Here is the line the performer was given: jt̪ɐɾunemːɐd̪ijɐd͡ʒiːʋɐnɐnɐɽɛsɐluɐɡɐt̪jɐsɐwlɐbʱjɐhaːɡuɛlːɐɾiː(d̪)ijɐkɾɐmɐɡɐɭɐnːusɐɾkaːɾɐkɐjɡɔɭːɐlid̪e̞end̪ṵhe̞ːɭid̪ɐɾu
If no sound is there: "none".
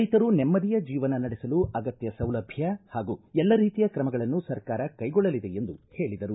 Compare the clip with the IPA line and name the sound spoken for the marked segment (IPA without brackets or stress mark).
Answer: t̪